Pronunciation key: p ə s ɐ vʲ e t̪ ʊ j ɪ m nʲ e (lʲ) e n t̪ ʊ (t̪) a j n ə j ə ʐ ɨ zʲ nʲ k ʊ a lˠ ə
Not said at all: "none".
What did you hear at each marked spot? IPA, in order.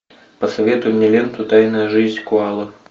lʲ, t̪

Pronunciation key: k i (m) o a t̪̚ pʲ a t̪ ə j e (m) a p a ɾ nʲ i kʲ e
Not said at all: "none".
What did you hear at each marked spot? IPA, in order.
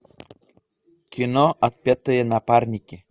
n, n

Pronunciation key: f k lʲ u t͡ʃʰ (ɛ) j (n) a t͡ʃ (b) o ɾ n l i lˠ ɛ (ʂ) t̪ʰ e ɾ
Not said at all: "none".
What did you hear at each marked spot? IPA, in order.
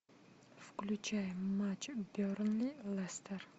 a, m, b, s

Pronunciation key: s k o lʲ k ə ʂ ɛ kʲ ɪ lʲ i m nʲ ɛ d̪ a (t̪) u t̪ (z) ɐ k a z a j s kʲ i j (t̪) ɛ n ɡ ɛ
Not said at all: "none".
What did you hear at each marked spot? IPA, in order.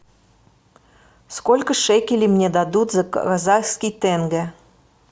d̪, z, t̪

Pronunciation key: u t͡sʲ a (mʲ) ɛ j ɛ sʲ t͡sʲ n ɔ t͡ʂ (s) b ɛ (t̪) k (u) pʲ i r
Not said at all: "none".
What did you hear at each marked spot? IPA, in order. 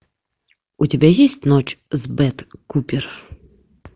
bʲ, z, t̪, u

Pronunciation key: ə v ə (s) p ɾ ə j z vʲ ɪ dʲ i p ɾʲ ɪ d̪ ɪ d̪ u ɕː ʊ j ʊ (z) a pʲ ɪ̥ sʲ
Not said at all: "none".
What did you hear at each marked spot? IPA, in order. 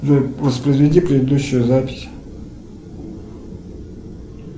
s, z

